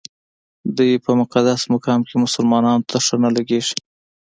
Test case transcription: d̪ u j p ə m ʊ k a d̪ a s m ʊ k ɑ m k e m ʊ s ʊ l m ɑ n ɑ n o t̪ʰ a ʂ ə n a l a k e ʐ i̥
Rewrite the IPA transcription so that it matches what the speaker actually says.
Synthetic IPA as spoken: d̪ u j p ə m ʊ q a d̪ a s m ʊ k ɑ m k e m ʊ s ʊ l m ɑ n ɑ n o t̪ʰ a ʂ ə n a l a ɡ e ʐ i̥